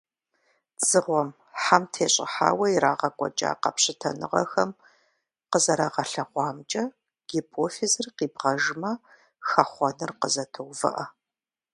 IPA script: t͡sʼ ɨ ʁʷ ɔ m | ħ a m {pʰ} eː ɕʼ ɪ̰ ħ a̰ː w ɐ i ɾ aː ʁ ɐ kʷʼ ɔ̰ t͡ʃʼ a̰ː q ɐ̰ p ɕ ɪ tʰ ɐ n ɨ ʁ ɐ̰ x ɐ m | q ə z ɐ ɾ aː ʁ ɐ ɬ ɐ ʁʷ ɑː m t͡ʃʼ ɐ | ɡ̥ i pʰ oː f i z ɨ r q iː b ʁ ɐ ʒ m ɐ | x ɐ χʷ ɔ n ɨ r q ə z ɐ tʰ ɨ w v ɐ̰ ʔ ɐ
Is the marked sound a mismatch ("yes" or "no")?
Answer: yes